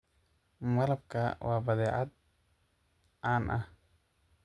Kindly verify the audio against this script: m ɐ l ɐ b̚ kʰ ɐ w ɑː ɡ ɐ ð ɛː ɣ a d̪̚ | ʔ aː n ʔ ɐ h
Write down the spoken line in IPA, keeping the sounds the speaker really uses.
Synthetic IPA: m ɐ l ɐ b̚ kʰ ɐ w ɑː b ɐ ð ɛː ʕ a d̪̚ | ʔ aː n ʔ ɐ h